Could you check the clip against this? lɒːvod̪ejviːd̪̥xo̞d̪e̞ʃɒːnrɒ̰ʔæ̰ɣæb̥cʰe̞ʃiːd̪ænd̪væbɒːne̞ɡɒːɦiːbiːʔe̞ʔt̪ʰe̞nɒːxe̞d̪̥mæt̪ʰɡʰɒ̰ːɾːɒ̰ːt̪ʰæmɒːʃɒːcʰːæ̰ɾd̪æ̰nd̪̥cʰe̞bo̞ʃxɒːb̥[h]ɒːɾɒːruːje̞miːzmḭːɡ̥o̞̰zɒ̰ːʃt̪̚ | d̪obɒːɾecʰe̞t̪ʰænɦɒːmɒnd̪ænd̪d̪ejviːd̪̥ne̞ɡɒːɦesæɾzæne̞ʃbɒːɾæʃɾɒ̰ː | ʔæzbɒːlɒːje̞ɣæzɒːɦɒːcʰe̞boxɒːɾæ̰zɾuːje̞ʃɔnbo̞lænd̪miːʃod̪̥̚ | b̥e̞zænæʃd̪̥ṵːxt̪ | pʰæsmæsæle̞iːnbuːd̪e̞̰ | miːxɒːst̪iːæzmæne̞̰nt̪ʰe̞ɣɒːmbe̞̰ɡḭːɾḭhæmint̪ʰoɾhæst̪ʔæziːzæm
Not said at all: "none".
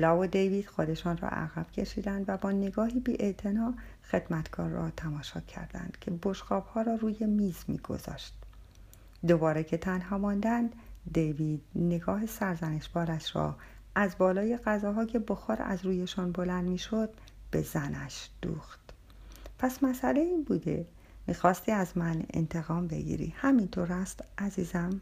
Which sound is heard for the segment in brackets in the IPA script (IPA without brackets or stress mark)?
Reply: h